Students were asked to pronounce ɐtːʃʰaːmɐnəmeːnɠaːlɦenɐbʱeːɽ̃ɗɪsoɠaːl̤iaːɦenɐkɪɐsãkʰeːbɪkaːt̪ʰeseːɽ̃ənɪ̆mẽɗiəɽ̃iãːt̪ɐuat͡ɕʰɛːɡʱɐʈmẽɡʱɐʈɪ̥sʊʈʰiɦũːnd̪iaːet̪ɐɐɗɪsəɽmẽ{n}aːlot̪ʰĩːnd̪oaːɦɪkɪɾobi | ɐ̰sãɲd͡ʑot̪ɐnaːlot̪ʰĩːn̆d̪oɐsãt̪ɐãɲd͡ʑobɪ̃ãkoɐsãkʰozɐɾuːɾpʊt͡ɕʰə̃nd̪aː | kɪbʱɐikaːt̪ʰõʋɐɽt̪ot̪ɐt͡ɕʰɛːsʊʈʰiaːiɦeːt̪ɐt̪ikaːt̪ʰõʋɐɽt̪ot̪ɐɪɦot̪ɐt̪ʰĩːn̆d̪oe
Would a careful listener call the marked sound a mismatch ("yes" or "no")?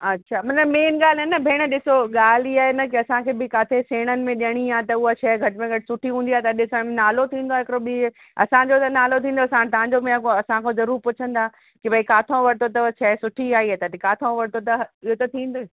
no